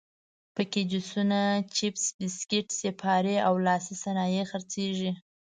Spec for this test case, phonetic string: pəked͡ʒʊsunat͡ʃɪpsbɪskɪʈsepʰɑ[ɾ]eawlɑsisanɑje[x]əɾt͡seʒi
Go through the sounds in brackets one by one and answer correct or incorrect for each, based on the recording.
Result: correct, correct

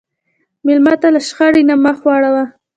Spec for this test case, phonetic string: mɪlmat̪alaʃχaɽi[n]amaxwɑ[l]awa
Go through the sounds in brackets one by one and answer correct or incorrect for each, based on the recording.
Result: correct, incorrect

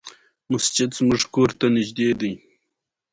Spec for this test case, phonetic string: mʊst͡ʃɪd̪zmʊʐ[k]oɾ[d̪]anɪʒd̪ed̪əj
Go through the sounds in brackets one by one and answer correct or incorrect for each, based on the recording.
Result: correct, incorrect

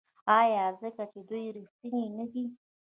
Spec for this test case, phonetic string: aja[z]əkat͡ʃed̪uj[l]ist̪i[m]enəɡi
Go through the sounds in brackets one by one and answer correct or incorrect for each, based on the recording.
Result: correct, incorrect, incorrect

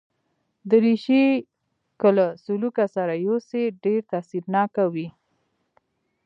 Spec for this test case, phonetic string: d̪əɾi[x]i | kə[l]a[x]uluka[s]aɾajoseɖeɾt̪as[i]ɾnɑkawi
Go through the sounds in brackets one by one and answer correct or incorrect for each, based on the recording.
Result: incorrect, correct, incorrect, correct, correct

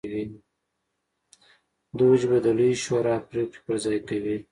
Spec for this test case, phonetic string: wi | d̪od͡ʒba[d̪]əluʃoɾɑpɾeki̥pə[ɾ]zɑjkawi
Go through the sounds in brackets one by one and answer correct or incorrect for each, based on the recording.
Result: correct, correct

